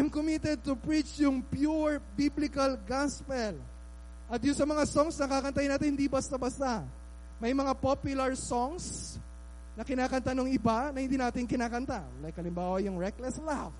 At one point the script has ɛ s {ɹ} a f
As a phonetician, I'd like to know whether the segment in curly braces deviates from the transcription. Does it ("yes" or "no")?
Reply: yes